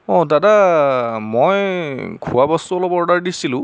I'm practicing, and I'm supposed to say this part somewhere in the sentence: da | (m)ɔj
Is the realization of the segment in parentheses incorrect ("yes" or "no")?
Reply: no